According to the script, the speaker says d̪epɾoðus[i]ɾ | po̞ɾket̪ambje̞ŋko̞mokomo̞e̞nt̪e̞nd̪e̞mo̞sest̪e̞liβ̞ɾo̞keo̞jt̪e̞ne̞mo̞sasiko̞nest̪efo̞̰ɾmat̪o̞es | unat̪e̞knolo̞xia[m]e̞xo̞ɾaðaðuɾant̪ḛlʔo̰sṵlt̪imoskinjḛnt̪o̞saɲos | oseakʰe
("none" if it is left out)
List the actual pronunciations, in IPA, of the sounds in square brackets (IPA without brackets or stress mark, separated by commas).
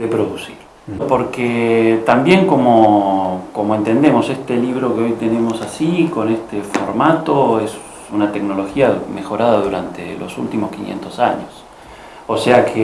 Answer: i, m